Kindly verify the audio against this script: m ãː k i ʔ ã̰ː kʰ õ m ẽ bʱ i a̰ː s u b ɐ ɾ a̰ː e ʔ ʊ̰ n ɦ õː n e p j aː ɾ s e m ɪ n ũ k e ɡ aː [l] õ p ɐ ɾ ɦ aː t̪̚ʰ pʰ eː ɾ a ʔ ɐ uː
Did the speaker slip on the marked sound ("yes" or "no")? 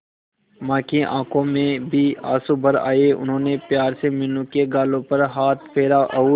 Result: no